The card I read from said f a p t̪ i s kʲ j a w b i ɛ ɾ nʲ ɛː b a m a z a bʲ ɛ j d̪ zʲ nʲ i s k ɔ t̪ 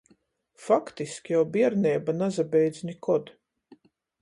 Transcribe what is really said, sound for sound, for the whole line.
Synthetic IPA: f a k t̪ i s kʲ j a w b i ɛ ɾ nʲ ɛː b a n a z a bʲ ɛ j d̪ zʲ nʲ i k ɔ d̪

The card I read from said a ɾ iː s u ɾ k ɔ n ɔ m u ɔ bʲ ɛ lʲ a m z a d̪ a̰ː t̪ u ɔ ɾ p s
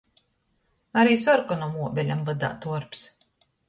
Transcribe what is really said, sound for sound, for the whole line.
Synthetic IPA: a ɾ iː s ɔ ɾ k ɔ n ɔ m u ɔ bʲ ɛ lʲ a m v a d̪ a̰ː t̪ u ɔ ɾ p s

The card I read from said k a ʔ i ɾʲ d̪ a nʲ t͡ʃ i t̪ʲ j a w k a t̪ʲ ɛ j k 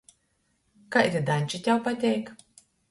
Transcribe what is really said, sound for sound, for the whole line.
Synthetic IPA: k a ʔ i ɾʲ d̪ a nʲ t͡ʃ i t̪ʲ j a w p a t̪ʲ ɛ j k

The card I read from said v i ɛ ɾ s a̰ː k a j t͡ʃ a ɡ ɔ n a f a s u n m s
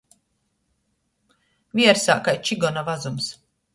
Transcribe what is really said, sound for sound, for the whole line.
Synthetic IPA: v i ɛ ɾ s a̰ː k a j t͡ʃ i ɡ ɔ n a v a z u m s

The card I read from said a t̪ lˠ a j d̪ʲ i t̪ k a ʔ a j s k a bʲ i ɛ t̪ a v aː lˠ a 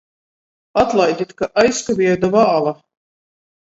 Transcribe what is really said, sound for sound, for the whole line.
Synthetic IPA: a t̪ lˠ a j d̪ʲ i t̪ k a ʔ a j s k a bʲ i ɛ d̪ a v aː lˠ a

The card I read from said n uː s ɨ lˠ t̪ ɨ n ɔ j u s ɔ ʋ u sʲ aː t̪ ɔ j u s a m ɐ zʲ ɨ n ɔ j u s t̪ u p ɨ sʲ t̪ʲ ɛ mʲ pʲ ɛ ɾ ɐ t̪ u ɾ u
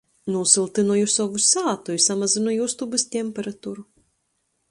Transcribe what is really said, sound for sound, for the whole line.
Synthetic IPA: n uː s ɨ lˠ t̪ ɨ n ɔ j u s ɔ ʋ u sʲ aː t̪ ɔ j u s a m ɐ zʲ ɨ n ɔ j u s t̪ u b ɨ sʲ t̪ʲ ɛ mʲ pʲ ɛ ɾ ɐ t̪ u ɾ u

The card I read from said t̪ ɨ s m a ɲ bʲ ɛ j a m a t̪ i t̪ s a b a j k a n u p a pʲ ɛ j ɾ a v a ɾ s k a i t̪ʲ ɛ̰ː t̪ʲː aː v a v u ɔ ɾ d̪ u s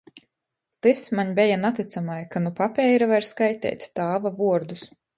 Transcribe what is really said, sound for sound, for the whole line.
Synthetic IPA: t̪ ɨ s m a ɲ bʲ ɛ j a n a t̪ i t̪ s a m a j k a n u p a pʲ ɛ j ɾ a v a ɾ s k a j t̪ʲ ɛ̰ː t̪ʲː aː v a v u ɔ ɾ d̪ u s

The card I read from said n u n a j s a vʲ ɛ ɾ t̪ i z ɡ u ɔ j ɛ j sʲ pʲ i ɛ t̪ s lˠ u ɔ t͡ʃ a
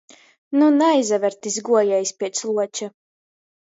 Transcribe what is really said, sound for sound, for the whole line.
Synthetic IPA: n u n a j z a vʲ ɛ ɾ t̪ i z ɡ u ɔ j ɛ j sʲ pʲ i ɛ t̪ s lˠ u ɔ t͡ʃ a

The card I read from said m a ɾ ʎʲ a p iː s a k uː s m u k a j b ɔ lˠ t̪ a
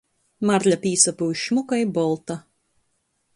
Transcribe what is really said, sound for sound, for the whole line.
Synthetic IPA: m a ɾ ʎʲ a p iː s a p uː ʃ m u k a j b ɔ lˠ t̪ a

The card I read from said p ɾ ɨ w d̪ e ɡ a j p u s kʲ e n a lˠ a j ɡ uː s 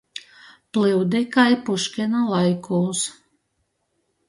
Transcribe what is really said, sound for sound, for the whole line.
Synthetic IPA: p l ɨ w d̪ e k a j p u ʃ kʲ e n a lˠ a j k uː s

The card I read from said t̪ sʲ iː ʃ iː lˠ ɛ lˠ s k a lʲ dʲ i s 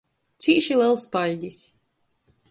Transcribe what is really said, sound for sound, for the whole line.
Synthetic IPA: t̪ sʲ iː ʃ i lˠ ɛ lˠ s p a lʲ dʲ i s

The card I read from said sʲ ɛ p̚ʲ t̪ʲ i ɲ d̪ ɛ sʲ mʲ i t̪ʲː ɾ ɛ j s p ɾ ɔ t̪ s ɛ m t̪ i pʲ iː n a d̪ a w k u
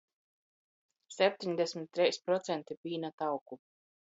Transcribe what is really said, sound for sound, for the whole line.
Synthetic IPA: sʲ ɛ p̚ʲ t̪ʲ i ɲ d̪ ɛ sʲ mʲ i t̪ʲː ɾ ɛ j s p ɾ ɔ t̪ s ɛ n t̪ i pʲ iː n a t̪ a w k u

